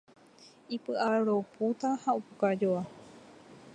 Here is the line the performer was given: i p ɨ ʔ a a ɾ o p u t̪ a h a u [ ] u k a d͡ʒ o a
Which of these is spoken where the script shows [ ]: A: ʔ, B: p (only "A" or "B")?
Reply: B